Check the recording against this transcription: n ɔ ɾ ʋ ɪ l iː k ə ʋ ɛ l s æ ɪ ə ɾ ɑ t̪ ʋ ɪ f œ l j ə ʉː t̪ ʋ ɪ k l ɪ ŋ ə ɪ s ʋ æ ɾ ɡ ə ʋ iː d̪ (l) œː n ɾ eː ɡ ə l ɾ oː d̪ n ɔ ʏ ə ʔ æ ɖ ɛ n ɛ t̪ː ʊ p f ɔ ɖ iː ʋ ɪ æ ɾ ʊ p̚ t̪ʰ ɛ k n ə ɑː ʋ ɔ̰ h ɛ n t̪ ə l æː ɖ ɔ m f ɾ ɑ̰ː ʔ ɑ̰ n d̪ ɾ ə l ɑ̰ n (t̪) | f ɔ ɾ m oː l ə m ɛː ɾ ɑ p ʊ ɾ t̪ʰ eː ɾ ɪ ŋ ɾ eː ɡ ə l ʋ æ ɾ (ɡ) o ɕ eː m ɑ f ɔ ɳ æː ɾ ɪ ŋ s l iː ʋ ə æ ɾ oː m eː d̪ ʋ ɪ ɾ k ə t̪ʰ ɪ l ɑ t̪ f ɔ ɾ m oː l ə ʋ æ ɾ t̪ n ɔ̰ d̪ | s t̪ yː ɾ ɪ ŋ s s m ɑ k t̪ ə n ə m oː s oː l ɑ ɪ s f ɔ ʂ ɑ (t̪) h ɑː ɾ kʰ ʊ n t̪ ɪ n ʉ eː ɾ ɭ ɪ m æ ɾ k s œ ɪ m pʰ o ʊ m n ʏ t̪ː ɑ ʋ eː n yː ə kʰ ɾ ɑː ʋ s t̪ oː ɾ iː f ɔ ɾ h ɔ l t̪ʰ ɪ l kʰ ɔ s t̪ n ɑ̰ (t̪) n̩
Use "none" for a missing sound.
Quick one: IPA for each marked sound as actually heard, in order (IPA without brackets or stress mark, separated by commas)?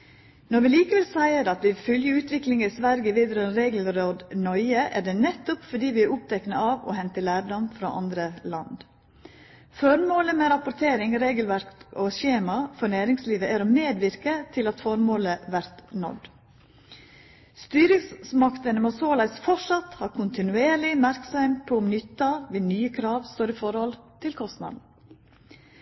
ɾ, d̪, k, t̪, d̪